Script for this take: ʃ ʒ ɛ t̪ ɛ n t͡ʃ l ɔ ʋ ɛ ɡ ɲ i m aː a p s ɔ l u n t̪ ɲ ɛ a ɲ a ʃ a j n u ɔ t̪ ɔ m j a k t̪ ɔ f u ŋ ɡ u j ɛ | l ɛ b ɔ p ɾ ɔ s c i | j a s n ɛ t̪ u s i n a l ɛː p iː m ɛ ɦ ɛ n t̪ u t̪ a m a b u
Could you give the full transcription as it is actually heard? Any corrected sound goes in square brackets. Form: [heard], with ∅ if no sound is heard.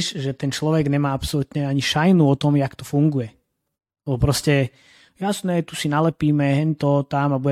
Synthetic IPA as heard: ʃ ʒ ɛ t̪ ɛ n t͡ʃ l ɔ ʋ ɛ ɡ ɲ [ɛ] m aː a p s ɔ l u [∅] t̪ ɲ ɛ a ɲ [i] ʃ a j n u ɔ t̪ ɔ m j a k t̪ ɔ f u ŋ ɡ u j ɛ | l ɛ b ɔ p ɾ ɔ s c [ɛ] | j a s n ɛ t̪ u s i n a l [ɛ] p iː m ɛ ɦ ɛ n t̪ [ɔ] t̪ a m a b u